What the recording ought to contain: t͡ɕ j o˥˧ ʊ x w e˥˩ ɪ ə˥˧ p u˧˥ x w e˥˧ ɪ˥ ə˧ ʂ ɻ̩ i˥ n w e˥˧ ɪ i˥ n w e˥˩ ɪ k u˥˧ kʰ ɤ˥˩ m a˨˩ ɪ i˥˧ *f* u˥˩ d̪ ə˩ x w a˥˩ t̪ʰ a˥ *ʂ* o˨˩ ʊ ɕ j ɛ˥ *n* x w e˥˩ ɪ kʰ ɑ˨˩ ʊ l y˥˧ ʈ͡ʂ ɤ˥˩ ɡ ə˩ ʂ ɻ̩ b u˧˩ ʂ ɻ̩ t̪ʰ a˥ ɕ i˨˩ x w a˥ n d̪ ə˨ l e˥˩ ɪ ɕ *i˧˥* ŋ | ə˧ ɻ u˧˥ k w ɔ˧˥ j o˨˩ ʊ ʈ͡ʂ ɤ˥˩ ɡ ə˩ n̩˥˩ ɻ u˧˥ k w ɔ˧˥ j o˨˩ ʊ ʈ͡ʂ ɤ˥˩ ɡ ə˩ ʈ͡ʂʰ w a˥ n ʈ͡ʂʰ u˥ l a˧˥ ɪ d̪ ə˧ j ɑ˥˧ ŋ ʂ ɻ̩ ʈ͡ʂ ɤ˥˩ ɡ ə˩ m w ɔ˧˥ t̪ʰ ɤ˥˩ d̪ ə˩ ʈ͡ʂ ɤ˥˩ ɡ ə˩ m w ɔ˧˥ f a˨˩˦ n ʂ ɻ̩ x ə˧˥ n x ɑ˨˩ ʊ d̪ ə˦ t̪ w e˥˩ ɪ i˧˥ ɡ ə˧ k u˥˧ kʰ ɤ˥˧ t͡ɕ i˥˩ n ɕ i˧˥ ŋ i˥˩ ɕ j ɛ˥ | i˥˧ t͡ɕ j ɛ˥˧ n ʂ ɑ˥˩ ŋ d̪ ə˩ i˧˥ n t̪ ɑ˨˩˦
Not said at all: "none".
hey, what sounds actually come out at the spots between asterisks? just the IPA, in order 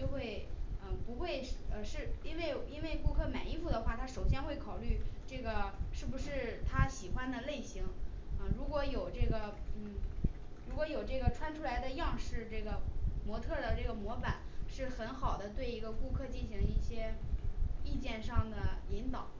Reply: f, ʂ, n, i˧˥

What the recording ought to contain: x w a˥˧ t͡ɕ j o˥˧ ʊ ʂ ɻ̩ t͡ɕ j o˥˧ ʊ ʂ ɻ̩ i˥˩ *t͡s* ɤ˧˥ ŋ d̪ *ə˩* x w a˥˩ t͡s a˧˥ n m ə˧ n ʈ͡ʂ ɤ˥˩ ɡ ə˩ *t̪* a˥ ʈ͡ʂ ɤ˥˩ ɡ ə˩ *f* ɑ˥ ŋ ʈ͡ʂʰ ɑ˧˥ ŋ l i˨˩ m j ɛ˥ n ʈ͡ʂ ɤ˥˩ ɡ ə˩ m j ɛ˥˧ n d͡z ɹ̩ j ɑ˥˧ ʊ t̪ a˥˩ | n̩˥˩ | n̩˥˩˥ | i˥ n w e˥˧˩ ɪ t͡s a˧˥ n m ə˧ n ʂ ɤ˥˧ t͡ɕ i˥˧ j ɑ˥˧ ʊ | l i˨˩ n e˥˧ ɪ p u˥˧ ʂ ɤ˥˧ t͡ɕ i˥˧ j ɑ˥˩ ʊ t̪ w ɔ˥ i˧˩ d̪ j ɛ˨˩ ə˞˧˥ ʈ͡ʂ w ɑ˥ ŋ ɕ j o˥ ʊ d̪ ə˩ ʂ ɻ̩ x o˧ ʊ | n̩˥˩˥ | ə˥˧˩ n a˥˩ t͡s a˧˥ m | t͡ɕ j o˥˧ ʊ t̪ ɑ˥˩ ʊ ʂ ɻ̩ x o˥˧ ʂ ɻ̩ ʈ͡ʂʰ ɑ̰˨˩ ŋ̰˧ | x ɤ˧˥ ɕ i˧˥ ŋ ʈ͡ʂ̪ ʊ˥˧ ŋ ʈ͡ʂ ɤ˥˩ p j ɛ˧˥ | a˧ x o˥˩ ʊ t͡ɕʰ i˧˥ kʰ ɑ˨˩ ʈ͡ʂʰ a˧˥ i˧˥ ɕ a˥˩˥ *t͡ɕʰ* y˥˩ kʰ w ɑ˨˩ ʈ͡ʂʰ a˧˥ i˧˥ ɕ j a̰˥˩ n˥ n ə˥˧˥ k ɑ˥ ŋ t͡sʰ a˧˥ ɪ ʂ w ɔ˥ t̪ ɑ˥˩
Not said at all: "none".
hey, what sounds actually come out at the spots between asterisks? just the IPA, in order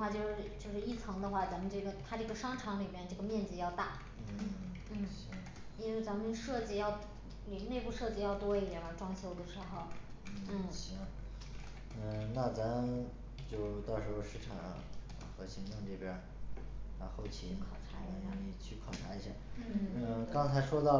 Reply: t͡sʰ, ə˧, t̪ʰ, ʂ, t͡ɕʰ

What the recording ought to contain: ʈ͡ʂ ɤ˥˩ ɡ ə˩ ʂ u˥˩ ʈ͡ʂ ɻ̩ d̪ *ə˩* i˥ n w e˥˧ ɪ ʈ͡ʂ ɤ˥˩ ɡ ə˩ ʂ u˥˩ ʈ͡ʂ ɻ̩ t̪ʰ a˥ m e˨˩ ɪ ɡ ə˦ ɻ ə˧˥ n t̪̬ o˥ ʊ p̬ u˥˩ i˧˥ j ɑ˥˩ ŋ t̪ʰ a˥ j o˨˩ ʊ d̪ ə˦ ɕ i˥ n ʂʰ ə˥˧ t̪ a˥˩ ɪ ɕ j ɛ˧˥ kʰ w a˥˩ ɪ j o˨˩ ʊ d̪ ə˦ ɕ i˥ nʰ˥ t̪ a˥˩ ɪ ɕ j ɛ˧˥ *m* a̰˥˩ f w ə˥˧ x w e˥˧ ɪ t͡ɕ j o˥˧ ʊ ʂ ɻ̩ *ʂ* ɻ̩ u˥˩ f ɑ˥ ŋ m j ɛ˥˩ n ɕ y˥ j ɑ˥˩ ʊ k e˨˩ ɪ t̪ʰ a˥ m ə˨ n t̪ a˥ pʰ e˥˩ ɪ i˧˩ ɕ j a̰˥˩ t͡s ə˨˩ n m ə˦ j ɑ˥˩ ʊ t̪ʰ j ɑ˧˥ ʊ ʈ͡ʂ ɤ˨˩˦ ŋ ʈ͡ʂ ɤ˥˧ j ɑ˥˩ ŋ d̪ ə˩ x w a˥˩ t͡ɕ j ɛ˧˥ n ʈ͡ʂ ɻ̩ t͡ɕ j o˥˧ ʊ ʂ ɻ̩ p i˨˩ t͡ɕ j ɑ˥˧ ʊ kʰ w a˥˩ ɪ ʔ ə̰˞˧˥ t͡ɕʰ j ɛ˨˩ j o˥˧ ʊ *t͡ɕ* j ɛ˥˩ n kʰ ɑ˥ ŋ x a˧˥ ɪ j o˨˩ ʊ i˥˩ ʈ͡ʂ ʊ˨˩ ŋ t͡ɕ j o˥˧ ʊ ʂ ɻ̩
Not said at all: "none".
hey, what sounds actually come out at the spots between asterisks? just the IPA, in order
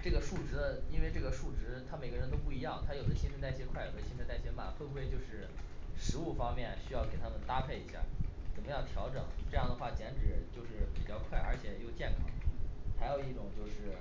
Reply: ə˧, m, ʂ, t͡ɕ

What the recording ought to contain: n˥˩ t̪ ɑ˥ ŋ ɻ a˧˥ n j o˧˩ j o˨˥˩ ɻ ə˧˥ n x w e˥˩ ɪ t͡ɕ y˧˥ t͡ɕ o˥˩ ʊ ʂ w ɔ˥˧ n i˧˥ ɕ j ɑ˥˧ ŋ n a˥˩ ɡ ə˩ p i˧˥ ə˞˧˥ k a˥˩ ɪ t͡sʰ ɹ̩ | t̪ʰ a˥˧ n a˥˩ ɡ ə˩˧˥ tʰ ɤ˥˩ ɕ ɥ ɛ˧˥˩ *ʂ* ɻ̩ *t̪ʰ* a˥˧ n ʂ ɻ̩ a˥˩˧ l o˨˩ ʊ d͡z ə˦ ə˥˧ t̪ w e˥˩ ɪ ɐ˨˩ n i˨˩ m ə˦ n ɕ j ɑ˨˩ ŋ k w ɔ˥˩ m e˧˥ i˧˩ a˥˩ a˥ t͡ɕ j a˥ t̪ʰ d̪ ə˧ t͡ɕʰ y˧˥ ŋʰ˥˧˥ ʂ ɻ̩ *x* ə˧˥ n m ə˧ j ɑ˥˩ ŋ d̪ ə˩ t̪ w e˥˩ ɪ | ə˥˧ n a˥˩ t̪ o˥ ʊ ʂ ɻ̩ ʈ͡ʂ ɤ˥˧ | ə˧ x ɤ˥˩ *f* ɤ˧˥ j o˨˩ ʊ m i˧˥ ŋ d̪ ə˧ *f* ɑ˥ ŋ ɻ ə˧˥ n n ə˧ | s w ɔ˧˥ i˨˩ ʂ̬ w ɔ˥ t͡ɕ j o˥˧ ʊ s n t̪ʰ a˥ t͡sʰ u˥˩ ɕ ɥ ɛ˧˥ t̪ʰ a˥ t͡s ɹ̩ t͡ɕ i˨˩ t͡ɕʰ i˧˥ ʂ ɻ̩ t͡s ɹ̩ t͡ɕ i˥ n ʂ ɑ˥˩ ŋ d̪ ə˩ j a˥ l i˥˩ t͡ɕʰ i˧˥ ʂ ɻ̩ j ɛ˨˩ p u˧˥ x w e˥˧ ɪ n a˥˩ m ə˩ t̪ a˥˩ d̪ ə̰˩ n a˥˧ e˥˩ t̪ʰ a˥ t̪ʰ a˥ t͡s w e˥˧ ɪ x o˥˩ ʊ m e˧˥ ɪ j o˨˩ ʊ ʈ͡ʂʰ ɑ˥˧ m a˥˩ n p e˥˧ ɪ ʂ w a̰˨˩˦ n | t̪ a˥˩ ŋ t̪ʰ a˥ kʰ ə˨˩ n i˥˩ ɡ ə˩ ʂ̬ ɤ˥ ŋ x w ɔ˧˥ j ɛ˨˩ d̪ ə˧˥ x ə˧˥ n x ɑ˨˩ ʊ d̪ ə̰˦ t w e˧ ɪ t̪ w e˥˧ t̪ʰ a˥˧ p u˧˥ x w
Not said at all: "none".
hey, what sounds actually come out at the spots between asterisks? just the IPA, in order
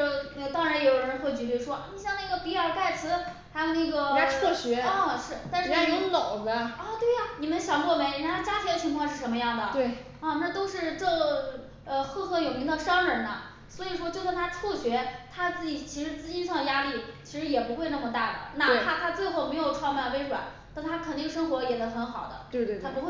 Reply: ʂ, t̪, ʂ, x, ʂ

